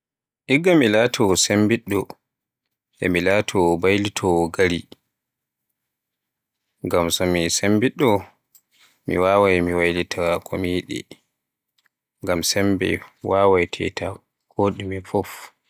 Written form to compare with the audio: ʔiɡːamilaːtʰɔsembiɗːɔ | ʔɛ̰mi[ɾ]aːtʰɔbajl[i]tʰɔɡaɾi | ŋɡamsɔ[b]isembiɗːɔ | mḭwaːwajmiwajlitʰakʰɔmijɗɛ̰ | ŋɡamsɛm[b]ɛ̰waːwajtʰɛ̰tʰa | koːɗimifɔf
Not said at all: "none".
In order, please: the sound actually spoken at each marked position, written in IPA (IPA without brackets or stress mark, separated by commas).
l, i, m, b